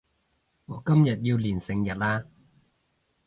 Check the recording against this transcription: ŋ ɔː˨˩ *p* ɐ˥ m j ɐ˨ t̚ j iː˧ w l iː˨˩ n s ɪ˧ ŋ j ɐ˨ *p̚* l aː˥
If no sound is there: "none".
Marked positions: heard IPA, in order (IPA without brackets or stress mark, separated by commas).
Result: k, t̚